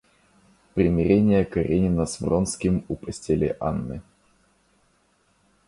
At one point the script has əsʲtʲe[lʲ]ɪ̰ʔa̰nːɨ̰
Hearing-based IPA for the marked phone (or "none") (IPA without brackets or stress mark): lʲ